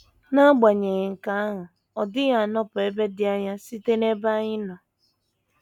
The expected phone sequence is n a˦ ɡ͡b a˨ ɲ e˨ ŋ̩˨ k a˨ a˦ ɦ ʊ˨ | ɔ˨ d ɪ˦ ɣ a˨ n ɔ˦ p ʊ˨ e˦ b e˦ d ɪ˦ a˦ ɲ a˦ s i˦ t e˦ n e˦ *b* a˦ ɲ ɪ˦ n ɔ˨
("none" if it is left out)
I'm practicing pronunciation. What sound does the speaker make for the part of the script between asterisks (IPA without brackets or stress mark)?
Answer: b